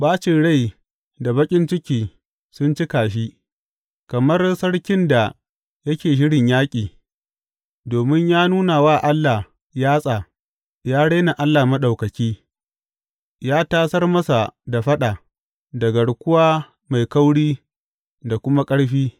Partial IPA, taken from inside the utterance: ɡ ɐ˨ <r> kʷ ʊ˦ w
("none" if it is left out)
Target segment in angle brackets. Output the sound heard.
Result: ɽ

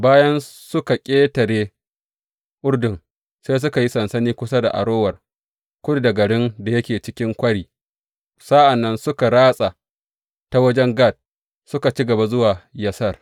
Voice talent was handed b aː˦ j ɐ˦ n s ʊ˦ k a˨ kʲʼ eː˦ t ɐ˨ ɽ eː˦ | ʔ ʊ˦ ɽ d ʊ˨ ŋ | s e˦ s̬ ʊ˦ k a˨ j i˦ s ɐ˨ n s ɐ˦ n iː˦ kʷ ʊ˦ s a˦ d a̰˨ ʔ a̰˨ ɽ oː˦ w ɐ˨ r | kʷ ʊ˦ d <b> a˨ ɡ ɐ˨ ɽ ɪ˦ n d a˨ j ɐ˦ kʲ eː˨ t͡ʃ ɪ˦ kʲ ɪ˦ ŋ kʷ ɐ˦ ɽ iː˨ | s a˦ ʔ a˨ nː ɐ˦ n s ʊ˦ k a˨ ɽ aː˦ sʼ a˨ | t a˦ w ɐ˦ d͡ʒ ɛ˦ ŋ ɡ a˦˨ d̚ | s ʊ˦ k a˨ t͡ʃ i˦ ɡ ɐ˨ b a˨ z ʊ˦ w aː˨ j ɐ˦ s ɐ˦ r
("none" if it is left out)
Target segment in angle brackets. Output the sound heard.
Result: d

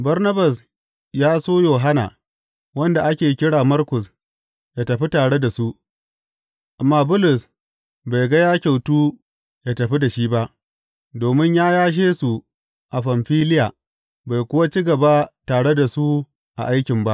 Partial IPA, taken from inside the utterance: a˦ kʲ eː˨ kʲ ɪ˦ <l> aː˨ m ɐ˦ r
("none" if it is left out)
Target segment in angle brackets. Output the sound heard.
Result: ɽ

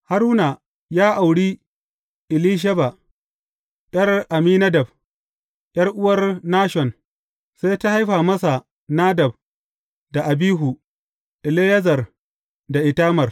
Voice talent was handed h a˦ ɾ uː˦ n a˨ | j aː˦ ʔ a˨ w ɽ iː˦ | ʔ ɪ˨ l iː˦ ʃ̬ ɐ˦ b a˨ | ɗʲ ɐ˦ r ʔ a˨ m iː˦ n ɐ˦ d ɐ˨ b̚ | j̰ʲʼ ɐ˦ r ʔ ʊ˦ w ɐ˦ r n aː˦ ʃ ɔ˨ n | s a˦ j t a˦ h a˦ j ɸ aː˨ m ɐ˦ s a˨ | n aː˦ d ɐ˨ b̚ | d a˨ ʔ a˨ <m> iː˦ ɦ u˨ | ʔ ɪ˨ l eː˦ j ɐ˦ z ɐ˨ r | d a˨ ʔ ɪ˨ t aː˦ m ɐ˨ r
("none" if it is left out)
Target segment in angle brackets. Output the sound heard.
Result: b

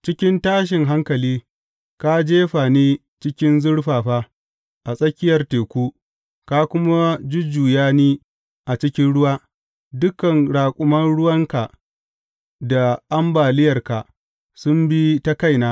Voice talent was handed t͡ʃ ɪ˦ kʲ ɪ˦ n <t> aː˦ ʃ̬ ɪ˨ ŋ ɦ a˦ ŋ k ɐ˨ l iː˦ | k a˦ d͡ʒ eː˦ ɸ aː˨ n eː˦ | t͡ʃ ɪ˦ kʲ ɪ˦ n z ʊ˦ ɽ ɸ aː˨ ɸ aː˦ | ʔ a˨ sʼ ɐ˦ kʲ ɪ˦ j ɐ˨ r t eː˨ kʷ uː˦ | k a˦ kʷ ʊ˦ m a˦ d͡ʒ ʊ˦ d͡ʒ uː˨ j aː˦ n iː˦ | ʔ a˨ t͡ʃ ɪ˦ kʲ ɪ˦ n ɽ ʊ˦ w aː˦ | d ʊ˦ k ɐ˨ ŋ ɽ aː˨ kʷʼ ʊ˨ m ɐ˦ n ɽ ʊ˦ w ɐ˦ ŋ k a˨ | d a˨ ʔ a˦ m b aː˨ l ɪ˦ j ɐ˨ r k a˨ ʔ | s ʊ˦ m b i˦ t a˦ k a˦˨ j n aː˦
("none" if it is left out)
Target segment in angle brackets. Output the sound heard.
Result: t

